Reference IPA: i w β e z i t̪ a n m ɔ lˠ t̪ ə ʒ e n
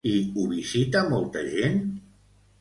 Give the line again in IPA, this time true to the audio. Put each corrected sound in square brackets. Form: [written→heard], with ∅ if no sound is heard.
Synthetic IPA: i [w→u] β [e→i] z i t̪ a [n→∅] m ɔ lˠ t̪ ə ʒ e n